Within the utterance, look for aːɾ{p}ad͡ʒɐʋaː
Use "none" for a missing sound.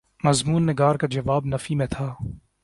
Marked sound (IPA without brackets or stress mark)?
k